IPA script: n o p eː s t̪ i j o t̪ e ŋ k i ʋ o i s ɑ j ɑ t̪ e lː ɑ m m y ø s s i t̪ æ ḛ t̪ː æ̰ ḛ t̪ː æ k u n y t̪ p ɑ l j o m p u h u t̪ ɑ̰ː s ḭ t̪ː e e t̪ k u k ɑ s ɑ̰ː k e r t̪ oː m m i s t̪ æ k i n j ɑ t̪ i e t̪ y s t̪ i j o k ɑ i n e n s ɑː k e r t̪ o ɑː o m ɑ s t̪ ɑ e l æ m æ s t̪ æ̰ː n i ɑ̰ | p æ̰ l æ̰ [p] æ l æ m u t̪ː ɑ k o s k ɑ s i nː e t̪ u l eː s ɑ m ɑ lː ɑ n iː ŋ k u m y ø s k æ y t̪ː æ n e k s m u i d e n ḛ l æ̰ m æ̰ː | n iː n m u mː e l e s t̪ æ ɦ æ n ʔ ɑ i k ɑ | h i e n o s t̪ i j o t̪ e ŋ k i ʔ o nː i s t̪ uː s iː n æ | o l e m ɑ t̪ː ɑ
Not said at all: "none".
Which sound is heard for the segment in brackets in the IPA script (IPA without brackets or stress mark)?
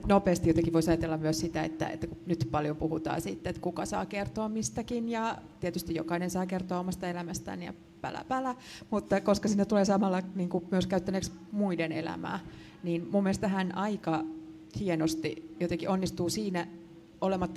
p